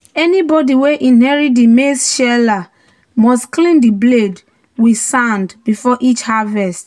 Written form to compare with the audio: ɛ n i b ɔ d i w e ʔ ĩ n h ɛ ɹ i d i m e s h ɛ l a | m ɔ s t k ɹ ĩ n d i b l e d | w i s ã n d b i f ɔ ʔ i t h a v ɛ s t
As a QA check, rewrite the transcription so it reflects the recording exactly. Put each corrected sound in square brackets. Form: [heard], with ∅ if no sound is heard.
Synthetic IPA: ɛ n i b ɔ d i w e ʔ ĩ n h ɛ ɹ i d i m e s [ʃ] ɛ l a | m ɔ s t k [l] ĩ n d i b l e d | w i s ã n d b i f ɔ ʔ i [t͡ʃ] h a v ɛ s t